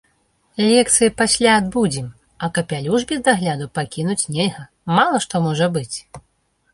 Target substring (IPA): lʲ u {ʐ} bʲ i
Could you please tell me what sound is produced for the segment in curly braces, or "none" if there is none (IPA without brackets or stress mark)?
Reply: ʐ